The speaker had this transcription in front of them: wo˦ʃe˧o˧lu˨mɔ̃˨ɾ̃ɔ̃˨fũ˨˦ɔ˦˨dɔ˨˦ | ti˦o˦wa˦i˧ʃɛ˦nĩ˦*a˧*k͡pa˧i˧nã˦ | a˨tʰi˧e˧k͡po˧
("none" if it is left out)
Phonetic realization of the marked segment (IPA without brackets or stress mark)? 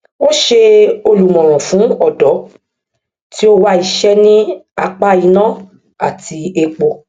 a˧